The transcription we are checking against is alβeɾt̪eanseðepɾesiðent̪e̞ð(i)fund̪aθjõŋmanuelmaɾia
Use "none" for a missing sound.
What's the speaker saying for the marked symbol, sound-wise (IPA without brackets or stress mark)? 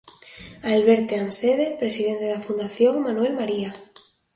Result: a